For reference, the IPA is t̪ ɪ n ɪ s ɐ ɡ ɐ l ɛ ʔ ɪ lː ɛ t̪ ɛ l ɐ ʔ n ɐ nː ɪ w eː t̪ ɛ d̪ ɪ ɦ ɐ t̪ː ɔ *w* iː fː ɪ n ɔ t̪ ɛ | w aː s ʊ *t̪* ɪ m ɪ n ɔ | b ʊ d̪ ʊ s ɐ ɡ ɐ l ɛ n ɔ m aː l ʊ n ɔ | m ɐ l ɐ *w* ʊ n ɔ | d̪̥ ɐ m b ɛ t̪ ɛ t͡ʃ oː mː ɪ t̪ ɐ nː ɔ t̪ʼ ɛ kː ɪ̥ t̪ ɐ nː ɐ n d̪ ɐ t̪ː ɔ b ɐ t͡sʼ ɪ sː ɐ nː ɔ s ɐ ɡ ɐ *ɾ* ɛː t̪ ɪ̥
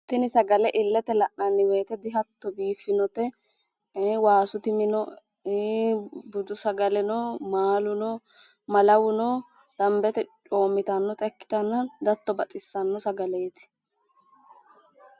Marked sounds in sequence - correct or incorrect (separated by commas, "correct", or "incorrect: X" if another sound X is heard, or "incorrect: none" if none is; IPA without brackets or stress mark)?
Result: incorrect: b, correct, correct, incorrect: l